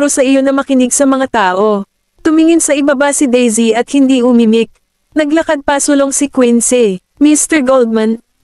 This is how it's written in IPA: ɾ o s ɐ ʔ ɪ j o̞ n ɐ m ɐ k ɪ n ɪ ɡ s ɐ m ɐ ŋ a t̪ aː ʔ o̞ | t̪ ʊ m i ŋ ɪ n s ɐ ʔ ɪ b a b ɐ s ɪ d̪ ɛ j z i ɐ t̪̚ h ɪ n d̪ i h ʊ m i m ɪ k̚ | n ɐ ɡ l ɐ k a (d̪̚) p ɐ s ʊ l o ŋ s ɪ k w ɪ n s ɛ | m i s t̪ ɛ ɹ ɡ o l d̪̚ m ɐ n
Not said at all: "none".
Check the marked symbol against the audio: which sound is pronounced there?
d̪̚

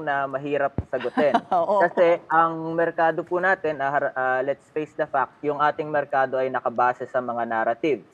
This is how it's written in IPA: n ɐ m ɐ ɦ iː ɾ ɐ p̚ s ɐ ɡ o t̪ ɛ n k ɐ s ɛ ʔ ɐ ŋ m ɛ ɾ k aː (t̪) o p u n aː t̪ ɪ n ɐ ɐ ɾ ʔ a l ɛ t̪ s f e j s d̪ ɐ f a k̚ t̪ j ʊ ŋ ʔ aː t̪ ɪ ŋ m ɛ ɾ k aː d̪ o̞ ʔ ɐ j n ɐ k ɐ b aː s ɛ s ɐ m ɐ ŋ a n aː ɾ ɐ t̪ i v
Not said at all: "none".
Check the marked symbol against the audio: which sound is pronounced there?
d̪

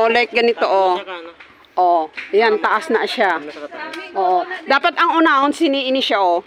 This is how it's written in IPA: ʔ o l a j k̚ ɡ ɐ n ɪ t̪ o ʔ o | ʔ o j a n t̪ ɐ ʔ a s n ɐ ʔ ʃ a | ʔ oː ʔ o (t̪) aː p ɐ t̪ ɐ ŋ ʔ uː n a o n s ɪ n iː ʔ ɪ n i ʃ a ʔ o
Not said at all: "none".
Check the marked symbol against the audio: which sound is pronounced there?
d̪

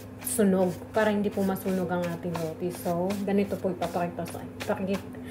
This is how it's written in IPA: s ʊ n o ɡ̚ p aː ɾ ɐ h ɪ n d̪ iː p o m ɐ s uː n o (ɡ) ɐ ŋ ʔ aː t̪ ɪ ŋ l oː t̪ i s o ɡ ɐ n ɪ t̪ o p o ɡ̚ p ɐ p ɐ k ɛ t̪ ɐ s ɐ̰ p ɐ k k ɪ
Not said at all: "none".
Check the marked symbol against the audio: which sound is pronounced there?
ɡ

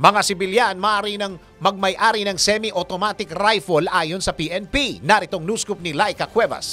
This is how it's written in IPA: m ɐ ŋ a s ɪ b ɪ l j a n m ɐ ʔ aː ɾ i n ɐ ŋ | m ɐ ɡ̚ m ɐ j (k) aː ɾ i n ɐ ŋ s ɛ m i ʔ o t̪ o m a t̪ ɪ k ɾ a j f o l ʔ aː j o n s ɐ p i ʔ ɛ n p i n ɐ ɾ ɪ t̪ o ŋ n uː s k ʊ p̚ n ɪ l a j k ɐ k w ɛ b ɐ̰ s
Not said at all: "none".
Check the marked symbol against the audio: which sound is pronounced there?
ʔ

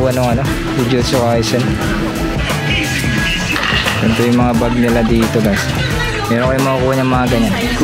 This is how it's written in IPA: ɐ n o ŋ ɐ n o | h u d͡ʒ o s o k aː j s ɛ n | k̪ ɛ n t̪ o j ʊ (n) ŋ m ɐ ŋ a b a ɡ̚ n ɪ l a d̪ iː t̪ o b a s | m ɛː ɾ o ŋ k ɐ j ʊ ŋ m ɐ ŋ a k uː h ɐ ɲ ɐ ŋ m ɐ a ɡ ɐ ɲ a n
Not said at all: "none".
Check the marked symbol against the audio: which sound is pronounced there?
none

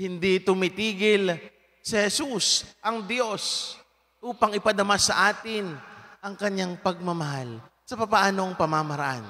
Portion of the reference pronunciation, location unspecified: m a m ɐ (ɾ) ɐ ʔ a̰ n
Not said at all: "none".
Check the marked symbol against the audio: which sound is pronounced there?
ɾ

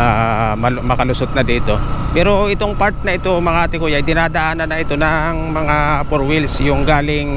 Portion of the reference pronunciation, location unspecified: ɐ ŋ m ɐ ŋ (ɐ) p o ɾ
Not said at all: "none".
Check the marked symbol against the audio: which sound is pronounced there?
a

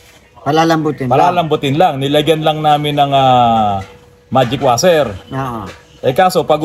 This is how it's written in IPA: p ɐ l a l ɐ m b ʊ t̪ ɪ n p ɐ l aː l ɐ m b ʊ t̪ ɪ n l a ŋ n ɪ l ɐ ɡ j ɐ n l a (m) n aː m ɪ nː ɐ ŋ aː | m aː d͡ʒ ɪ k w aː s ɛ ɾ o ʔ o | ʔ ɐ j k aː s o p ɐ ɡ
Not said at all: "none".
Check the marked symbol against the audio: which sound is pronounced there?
ŋ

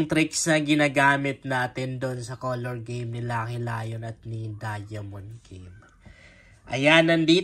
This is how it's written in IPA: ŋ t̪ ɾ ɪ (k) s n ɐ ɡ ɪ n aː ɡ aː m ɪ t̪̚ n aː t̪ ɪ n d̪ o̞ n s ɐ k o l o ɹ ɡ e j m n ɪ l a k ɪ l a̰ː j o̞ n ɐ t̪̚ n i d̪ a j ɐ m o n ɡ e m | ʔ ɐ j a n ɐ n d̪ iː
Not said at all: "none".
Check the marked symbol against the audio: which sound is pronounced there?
k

